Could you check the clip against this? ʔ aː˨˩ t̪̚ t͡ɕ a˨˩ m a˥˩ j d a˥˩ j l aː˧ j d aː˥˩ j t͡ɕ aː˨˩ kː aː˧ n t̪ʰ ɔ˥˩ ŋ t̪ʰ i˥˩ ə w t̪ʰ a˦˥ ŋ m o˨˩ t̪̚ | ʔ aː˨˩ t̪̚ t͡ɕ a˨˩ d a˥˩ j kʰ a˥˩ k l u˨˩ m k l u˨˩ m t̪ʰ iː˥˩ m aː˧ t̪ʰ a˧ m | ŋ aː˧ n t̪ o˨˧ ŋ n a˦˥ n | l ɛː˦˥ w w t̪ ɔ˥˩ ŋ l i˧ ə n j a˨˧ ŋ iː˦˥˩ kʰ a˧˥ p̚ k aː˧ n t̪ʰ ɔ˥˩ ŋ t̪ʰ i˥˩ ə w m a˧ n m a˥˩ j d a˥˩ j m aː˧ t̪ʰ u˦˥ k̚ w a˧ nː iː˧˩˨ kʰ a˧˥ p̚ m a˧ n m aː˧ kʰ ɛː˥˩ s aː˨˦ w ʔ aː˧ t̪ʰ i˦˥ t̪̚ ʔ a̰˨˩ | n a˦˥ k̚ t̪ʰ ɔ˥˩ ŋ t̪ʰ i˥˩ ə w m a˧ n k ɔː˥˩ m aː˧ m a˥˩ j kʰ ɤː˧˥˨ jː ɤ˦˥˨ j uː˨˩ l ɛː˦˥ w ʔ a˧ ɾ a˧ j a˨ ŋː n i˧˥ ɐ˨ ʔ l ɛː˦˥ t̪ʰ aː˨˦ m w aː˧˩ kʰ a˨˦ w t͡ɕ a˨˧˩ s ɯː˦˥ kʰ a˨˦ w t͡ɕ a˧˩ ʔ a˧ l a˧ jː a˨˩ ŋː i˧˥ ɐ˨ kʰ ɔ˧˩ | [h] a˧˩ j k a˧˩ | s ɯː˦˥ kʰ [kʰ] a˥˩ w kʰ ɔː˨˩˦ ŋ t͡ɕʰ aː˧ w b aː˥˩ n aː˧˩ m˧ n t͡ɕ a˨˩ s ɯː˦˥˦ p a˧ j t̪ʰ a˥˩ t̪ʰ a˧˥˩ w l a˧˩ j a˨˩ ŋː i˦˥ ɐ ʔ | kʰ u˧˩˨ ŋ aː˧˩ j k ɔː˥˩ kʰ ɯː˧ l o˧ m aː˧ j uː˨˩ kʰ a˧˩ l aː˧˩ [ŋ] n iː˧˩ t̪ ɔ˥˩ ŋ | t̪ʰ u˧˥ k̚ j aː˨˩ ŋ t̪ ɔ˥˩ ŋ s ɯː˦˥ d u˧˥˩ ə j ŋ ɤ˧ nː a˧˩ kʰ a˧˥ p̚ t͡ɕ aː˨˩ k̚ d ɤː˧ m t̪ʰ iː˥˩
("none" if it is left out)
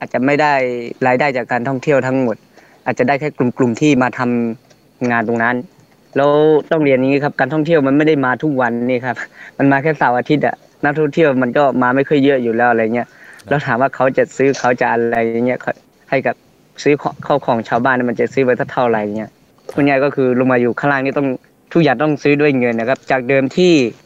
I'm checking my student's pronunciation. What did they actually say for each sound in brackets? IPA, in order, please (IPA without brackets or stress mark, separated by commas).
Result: h, kʰ, ŋ